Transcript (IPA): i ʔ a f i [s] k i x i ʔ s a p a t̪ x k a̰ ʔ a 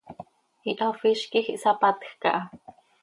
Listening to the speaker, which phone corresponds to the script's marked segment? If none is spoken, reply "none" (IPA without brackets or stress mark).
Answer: ʃ